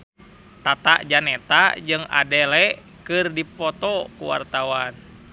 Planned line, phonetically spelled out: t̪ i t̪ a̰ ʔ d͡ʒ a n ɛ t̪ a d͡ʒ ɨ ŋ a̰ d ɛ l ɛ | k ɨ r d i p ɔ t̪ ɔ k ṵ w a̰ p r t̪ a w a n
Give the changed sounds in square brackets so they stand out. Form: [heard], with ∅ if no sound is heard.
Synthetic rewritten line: t̪ [a] t̪ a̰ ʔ d͡ʒ a n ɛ t̪ a d͡ʒ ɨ ŋ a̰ d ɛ l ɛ | k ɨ r d i p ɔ t̪ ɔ k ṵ w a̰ [∅] r t̪ a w a n